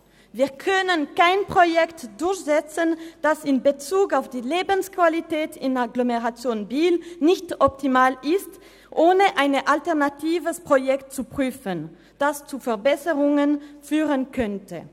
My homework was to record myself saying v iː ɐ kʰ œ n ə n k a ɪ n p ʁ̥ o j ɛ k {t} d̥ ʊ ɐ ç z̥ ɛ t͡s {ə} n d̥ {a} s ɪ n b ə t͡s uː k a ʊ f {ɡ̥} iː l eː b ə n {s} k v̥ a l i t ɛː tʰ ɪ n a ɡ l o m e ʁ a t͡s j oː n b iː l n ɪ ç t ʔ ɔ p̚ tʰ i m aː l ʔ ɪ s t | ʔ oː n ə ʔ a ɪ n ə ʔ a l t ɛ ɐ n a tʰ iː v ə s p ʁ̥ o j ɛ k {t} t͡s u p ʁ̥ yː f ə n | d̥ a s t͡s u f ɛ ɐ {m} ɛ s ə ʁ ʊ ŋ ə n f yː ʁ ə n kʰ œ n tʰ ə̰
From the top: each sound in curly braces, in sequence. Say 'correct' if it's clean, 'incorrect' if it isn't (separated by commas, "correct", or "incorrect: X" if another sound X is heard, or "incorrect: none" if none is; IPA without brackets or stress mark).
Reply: correct, correct, correct, incorrect: d̥, correct, correct, incorrect: b